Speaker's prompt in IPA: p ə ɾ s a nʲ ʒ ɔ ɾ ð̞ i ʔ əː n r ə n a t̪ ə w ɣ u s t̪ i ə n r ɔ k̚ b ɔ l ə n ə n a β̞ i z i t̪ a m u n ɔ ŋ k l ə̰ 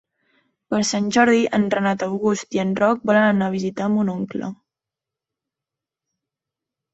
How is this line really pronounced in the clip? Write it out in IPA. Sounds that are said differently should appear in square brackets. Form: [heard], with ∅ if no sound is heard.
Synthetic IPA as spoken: p ə ɾ s a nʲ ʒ ɔ ɾ ð̞ i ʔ [ə] n r ə n a t̪ ə w ɣ u s t̪ i ə n r ɔ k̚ b ɔ l ə n ə n a β̞ i z i t̪ a m u n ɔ ŋ k l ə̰

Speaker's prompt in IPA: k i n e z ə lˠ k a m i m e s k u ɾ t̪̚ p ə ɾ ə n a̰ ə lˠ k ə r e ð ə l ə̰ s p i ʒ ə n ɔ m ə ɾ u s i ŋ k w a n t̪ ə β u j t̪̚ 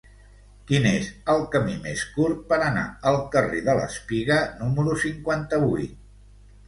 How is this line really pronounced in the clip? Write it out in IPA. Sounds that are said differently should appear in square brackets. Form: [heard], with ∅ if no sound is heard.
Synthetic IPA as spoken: k i n e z ə lˠ k [ə] m i m e s k u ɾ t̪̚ p ə ɾ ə n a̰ ə lˠ k ə r e ð ə l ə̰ s p i [ɣ] ə n [u] m ə ɾ u s i ŋ k w a n t̪ ə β u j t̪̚

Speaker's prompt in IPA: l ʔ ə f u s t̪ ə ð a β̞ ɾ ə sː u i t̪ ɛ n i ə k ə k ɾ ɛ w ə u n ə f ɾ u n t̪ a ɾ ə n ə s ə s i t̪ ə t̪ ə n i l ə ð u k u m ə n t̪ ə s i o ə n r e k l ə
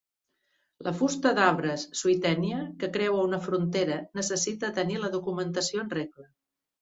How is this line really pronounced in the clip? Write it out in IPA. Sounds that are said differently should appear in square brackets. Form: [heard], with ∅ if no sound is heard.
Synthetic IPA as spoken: l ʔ ə f u s t̪ ə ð a β̞ ɾ ə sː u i t̪ ɛ n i ə k ə k ɾ ɛ w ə u n ə f ɾ u n t̪ [e] ɾ ə n ə s ə s i t̪ ə t̪ ə n i l ə ð u k u m ə n t̪ ə s i o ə n r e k l ə

